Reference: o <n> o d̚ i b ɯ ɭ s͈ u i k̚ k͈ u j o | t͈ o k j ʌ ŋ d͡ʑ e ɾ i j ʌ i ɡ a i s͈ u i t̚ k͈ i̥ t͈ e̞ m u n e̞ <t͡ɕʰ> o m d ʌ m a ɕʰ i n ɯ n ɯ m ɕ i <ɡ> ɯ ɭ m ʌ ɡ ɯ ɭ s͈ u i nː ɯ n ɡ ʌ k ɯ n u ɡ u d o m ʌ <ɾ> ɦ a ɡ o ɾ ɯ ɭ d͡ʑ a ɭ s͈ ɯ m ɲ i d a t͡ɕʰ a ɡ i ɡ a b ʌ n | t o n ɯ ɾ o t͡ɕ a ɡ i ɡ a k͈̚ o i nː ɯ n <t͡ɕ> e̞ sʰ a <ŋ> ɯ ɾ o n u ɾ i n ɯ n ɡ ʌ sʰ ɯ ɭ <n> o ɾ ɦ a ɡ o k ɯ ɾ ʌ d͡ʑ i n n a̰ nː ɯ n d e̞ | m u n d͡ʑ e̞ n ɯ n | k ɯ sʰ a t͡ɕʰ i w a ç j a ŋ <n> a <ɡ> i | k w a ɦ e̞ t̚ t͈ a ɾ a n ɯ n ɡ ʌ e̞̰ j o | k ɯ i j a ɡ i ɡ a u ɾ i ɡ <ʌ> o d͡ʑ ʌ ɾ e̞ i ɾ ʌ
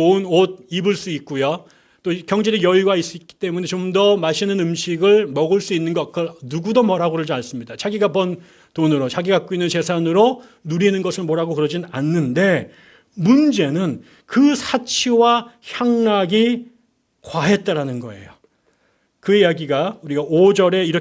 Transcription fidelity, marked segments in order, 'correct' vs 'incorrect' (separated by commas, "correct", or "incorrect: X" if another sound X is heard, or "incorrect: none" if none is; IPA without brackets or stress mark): correct, incorrect: t͡ɕ, correct, correct, correct, incorrect: n, incorrect: m, correct, correct, incorrect: a